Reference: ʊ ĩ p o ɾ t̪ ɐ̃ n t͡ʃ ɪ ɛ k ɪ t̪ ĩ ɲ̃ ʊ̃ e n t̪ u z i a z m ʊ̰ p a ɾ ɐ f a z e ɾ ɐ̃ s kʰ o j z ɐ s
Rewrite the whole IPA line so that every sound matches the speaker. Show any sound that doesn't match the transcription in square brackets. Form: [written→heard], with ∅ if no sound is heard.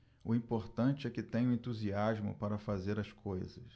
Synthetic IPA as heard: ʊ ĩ p o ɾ t̪ ɐ̃ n t͡ʃ ɪ ɛ k ɪ t̪ [ĩ→ẽ] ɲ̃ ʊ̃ [e→ẽ] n t̪ u z i a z m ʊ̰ p a ɾ ɐ f a z e ɾ [ɐ̃→ɐ] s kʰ o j z ɐ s